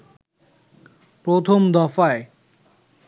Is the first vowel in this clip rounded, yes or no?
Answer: yes